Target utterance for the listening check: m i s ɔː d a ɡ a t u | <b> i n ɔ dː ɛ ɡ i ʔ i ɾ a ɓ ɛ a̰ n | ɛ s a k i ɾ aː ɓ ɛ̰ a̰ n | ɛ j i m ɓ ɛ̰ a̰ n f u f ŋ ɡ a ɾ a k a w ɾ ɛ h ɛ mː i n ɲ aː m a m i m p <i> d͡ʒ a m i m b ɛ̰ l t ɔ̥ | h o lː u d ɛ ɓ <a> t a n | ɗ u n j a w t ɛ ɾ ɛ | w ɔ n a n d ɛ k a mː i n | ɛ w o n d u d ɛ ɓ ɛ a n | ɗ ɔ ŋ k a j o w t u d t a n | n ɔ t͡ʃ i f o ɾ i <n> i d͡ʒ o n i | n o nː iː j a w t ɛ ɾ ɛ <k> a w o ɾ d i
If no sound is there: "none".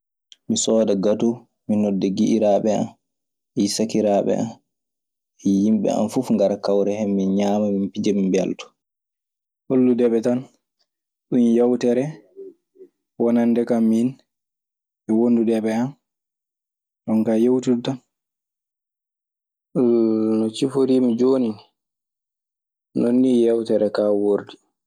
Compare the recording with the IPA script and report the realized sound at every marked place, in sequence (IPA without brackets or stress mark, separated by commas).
m, i, ɛ, m, k